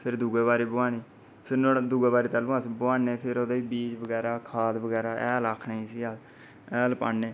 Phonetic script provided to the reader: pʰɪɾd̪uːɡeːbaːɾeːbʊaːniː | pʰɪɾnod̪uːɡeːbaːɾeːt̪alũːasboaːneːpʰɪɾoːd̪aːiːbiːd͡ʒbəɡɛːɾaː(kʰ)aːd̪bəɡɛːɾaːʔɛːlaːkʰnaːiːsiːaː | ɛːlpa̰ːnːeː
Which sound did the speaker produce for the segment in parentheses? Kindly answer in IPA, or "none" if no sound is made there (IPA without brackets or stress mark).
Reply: kʰ